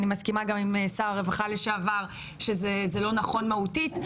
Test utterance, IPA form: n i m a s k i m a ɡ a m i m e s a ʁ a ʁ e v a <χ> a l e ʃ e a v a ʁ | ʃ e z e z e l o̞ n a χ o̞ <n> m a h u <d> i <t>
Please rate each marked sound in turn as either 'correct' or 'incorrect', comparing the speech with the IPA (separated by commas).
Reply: correct, correct, incorrect, correct